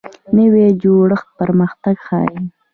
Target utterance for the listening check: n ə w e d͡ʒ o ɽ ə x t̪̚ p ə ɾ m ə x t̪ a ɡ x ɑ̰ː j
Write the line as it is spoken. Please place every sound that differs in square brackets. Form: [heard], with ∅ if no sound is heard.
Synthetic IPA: n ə w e d͡ʒ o ɽ ə x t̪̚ p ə ɾ m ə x t̪ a ɡ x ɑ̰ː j